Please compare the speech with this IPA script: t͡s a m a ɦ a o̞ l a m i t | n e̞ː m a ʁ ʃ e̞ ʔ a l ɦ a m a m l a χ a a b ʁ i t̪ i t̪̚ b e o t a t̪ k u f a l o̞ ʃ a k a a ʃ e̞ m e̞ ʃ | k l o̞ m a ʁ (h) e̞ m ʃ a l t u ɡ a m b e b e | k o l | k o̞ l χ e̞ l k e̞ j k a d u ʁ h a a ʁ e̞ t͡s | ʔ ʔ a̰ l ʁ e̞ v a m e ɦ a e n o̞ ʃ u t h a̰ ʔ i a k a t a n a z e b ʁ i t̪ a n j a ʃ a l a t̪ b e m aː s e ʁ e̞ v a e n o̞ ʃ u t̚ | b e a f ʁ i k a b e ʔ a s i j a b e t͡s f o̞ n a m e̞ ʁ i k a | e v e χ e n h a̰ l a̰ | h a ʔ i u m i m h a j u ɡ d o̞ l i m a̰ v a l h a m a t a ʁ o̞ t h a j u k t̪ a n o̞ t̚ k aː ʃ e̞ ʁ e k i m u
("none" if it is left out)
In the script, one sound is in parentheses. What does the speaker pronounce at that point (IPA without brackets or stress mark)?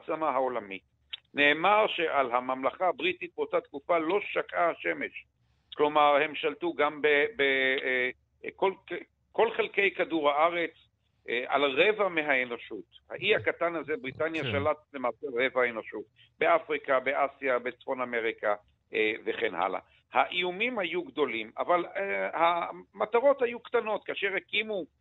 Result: h